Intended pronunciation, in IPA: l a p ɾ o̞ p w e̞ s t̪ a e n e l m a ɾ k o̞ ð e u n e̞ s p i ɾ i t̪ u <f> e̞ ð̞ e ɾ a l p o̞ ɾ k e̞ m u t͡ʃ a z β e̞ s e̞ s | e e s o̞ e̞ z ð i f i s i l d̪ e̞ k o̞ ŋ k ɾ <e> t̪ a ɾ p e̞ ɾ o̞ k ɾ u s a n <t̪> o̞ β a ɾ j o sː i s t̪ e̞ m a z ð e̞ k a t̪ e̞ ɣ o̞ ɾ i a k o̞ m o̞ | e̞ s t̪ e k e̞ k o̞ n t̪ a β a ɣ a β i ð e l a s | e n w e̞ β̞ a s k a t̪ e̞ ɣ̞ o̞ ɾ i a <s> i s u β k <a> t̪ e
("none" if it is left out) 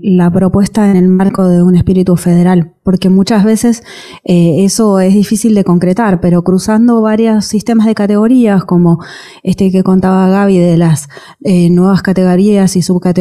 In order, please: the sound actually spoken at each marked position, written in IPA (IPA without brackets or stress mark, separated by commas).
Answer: f, e, d̪, s, a